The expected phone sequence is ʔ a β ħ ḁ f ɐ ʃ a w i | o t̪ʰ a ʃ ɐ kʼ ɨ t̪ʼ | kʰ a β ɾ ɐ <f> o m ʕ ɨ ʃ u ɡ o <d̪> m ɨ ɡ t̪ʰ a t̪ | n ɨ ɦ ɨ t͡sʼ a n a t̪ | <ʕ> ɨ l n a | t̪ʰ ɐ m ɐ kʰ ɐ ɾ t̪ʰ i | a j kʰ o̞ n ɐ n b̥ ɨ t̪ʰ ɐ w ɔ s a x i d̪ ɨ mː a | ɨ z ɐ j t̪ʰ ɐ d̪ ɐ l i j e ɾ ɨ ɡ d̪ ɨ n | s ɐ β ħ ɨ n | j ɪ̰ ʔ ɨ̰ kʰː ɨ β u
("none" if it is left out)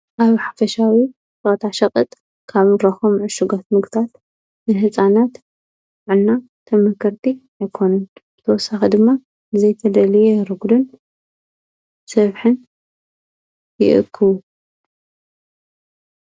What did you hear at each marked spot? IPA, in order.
x, t̪, ʕ

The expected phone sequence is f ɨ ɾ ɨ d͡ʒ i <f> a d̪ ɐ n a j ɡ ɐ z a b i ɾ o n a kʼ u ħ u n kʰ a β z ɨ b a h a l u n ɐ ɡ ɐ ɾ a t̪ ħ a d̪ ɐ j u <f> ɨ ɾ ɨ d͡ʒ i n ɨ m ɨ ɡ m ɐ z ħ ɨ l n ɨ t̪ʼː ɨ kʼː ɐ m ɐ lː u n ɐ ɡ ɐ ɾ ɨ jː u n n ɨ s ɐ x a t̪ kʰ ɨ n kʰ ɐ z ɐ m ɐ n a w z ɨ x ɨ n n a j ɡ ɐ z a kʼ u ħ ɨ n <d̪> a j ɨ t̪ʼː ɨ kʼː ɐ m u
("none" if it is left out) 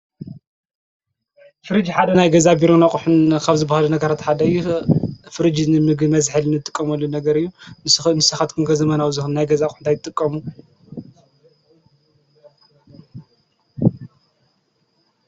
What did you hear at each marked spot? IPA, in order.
ħ, f, t̪

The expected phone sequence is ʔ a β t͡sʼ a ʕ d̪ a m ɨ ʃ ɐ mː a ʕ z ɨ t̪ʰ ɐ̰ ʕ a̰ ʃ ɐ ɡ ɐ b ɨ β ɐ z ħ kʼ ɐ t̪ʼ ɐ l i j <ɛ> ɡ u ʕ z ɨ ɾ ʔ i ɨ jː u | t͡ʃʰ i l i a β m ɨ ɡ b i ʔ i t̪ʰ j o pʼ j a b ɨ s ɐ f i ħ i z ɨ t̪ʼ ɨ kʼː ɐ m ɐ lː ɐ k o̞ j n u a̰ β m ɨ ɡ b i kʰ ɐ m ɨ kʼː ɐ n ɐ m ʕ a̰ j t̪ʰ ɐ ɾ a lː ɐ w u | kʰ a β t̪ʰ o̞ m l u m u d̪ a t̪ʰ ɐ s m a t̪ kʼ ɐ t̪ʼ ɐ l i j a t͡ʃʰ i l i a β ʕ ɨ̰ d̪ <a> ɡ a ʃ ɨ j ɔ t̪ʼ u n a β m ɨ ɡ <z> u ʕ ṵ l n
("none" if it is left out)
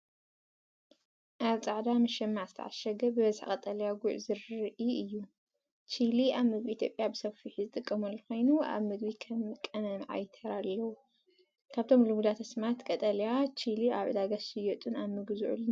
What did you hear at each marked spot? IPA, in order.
a, a, z

